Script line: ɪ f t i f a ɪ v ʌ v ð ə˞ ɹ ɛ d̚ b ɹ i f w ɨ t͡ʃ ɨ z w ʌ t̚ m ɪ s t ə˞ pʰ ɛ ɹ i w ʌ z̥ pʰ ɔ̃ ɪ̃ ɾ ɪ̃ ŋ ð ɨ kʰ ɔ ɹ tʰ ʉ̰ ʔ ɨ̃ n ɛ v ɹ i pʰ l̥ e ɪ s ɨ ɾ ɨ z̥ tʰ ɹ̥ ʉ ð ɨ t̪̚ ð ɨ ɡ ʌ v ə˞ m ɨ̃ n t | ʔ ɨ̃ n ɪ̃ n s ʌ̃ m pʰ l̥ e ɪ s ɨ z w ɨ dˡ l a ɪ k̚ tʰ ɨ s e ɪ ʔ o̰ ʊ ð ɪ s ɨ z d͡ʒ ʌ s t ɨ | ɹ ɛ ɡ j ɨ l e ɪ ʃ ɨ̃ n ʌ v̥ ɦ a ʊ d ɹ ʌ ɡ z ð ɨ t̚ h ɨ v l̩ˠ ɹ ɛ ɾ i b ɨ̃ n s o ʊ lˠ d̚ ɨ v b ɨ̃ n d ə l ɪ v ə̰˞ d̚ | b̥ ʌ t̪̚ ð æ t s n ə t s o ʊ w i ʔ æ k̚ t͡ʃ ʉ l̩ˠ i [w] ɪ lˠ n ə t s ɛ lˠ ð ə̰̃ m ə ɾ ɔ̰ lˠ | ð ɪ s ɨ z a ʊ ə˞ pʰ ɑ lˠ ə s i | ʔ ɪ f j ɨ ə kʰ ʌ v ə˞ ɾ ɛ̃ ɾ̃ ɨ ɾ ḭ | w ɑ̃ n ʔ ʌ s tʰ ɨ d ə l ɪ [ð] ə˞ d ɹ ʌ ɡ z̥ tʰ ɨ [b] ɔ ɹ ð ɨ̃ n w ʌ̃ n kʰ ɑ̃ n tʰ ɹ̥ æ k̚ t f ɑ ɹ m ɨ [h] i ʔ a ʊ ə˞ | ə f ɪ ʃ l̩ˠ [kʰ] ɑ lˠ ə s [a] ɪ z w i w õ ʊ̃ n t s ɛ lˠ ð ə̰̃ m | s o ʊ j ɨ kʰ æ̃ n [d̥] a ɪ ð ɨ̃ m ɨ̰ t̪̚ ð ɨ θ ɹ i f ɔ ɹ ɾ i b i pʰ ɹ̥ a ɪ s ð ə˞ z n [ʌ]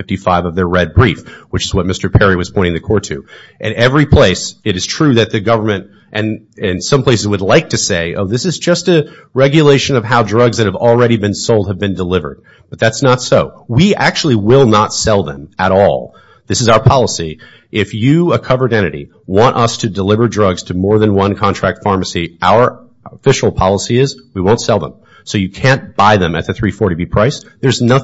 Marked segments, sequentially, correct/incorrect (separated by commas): correct, incorrect, incorrect, incorrect, incorrect, incorrect, incorrect, correct